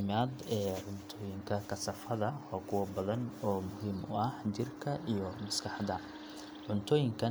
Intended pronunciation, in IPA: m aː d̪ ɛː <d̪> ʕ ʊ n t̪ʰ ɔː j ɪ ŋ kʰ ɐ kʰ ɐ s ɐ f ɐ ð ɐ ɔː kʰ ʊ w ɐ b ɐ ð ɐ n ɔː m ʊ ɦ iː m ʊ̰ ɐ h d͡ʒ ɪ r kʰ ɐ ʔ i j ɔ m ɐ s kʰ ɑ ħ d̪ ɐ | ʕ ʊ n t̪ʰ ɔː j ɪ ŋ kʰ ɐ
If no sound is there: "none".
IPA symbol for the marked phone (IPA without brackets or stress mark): none